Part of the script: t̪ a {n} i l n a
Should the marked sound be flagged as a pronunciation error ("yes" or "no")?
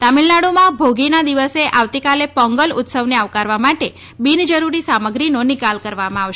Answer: yes